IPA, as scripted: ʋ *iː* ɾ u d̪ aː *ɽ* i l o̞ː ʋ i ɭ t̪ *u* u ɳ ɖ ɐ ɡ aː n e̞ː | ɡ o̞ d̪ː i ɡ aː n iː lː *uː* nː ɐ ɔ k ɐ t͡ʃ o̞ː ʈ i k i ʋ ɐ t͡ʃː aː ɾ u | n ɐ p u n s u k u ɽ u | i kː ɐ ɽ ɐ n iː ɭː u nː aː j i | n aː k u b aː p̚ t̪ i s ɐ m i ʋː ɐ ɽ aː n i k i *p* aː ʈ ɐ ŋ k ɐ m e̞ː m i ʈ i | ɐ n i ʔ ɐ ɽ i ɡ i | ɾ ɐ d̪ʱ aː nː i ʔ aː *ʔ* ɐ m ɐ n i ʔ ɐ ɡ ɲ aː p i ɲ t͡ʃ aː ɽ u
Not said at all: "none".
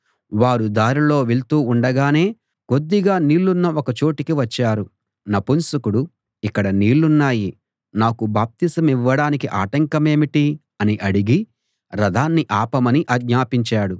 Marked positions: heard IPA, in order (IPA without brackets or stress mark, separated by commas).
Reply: aː, ɾ, uː, u, ʔ, p